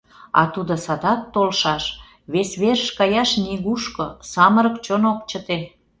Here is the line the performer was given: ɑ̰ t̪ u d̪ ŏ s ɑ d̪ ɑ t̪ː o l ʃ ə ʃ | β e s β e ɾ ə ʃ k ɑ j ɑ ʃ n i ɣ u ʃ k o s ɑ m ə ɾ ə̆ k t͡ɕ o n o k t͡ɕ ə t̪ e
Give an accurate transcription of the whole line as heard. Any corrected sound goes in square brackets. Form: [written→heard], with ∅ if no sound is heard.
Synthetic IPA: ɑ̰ t̪ u d̪ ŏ s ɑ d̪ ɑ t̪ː o l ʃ [ə→ɑ] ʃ | β e s β e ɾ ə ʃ k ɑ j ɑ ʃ n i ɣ u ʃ k o s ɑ m ə ɾ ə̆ k t͡ɕ o n o k t͡ɕ ə t̪ e